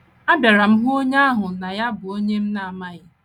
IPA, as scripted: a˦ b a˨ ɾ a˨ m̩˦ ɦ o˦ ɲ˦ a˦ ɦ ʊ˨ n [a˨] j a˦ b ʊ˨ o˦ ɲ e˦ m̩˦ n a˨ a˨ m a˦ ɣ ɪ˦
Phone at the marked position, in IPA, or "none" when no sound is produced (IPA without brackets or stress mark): a˨